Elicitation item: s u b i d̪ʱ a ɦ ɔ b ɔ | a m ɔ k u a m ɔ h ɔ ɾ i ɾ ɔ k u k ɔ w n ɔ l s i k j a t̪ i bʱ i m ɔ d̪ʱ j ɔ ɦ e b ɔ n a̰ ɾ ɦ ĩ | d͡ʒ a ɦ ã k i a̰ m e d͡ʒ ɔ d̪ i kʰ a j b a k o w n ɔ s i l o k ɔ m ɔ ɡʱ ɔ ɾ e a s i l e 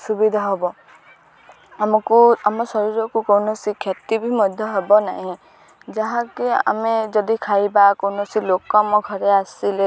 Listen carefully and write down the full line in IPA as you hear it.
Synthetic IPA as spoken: s u b i d̪ʱ a ɦ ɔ b ɔ | a m ɔ k u a m ɔ s ɔ ɾ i ɾ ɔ k u k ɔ w n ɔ s i kʰ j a t̪ i bʱ i m ɔ d̪ʱ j ɔ ɦ e b ɔ n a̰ ɦ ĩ | d͡ʒ a ɦ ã k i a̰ m e d͡ʒ ɔ d̪ i kʰ a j b a k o w n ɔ s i l o k ɔ m ɔ ɡʱ ɔ ɾ e a s i l e

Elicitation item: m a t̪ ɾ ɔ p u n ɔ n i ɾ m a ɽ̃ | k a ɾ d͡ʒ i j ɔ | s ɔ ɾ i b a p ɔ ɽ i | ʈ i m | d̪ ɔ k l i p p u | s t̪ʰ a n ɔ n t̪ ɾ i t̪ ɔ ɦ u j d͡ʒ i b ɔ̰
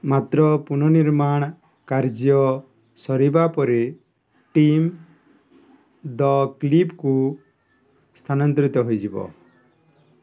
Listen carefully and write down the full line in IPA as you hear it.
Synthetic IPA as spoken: m a t̪ ɾ ɔ p u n ɔ n i ɾ m a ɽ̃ | k a ɾ d͡ʒ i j ɔ | s ɔ ɾ i b a p ɔ ɾ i | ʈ i m | d̪ ɔ k l i p k u | s t̪ʰ a n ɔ n t̪ ɾ i t̪ ɔ ɦ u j d͡ʒ i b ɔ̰

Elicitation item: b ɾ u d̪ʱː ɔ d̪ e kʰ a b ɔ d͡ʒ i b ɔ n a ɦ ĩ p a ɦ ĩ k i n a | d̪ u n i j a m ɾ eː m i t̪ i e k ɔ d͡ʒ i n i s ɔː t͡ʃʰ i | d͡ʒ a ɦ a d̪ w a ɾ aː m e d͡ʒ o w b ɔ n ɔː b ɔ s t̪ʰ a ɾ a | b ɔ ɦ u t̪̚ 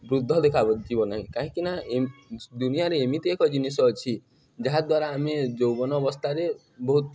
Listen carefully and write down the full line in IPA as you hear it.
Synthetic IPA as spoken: b ɾ u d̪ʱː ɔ d̪ e kʰ a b ɔ d͡ʒ i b ɔ n a ɦ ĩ k a ɦ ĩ k i n a | d̪ u n i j a ɾ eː m i t̪ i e k ɔ d͡ʒ i n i s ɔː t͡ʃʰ i | d͡ʒ a ɦ a d̪ w a ɾ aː m e d͡ʒ o w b ɔ n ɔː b ɔ s t̪ʰ a ɾ e | b ɔ ɦ u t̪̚

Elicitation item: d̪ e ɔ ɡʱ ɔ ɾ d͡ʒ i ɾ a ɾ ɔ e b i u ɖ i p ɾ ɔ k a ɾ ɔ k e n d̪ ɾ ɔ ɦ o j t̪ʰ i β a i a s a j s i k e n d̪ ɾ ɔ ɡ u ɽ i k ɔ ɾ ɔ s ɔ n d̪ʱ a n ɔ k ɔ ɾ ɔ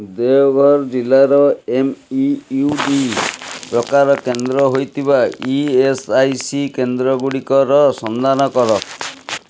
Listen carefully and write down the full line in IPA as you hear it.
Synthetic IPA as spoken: d̪ e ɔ ɡʱ ɔ ɾ d͡ʒ i l a ɾ ɔ e m i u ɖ i p ɾ ɔ k a ɾ ɔ k e n d̪ ɾ ɔ ɦ o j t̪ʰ i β a i e s a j s i k e n d̪ ɾ ɔ ɡ u ɽ i k ɔ ɾ ɔ s ɔ n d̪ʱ a n ɔ k ɔ ɾ ɔ

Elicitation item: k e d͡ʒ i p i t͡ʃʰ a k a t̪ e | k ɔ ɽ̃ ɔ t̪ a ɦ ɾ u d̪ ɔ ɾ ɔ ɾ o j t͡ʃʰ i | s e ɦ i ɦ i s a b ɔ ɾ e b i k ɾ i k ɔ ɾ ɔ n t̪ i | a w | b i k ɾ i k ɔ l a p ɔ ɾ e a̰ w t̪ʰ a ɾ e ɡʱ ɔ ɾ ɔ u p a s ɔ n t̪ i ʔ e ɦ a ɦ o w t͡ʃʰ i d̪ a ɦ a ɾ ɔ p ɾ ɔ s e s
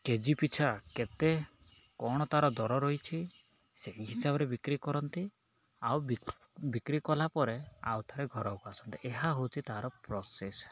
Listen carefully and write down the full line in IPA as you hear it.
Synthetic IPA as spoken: k e d͡ʒ i p i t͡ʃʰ a k e t̪ e | k ɔ ɽ̃ ɔ t̪ a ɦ ɾ ɔ d̪ ɔ ɾ ɔ ɾ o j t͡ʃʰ i | s e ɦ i ɦ i s a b ɔ ɾ e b i k ɾ i k ɔ ɾ ɔ n t̪ i | a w | b i k ɾ i k ɔ l a p ɔ ɾ e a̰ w t̪ʰ a ɾ e ɡʱ ɔ ɾ ɔ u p a s ɔ n t̪ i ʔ e ɦ a ɦ o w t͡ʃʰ i t̪ a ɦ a ɾ ɔ p ɾ ɔ s e s

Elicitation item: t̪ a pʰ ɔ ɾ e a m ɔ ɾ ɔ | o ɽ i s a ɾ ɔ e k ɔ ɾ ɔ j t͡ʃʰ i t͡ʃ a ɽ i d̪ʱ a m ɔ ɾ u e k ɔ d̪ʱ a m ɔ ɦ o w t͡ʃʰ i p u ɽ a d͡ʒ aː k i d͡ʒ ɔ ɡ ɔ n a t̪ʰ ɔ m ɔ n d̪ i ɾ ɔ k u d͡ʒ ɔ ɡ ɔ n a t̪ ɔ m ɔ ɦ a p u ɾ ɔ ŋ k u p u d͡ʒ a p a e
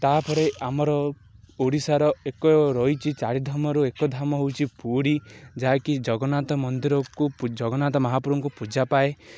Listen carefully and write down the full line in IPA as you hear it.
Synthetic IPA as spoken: t̪ a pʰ ɔ ɾ e a m ɔ ɾ ɔ | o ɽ i s a ɾ ɔ e k ɔ ɾ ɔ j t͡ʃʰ i t͡ʃ a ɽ i d̪ʱ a m ɔ ɾ u e k ɔ d̪ʱ a m ɔ ɦ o w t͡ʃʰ i p u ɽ i d͡ʒ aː k i d͡ʒ ɔ ɡ ɔ n a t̪ ɔ m ɔ n d̪ i ɾ ɔ k u d͡ʒ ɔ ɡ ɔ n a t̪ ɔ m ɔ ɦ a p u ɾ ɔ ŋ k u p u d͡ʒ a p a e

